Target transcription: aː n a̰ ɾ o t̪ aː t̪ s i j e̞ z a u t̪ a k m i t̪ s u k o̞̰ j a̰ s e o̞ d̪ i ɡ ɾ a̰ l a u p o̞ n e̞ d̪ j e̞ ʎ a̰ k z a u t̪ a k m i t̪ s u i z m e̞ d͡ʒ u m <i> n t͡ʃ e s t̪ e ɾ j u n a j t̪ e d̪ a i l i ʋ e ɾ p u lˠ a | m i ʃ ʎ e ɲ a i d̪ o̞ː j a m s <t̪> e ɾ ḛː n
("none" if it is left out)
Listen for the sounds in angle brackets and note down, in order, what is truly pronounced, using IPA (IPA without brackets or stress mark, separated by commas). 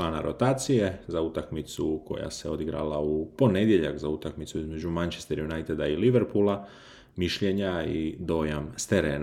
a, t̪